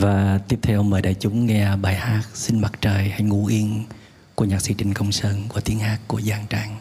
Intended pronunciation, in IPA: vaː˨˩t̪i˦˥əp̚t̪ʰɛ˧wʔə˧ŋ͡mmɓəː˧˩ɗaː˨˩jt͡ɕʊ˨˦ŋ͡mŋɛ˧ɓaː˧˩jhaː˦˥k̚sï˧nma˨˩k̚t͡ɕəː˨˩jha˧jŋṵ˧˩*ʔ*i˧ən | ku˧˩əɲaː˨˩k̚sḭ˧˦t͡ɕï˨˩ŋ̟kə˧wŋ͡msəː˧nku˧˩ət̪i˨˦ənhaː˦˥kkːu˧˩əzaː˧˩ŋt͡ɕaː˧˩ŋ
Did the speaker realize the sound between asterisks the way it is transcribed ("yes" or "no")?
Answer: yes